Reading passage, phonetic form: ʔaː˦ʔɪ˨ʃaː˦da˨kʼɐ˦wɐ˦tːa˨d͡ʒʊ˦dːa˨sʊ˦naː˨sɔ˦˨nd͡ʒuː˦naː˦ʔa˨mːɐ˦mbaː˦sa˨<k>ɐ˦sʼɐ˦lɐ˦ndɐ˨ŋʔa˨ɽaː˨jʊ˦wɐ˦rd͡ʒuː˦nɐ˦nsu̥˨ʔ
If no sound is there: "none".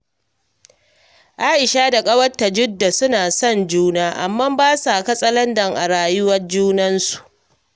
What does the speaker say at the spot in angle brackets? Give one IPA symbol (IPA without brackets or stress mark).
k